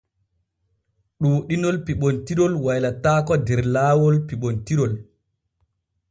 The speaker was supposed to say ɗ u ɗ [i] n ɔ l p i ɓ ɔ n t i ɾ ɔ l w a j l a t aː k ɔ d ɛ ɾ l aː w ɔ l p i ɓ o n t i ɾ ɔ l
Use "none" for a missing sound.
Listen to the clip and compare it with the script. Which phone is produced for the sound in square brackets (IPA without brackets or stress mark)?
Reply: i